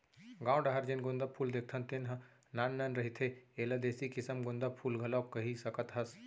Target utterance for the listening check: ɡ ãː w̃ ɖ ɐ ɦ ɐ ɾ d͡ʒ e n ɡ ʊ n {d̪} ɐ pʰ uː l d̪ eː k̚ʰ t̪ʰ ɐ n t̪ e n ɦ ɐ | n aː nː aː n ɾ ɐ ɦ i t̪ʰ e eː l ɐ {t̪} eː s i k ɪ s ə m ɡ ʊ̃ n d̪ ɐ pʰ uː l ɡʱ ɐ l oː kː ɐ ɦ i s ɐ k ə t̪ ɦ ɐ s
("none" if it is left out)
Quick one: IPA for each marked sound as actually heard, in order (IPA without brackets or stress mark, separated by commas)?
d̪, d̪